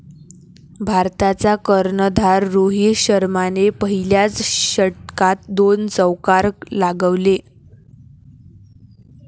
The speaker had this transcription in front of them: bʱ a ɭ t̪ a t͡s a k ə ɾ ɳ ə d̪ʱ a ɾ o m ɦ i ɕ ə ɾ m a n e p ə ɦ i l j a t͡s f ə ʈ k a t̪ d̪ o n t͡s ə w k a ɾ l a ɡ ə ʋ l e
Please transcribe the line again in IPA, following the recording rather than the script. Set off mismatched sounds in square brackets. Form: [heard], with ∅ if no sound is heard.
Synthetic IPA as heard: bʱ a [ɾ] t̪ a t͡s a k ə ɾ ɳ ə d̪ʱ a [ɾː] o [∅] ɦ i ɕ ə ɾ m a n e p ə ɦ i l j a t͡s [ɕ] ə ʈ k a t̪ d̪ o n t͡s ə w k a ɾ l a ɡ ə ʋ l e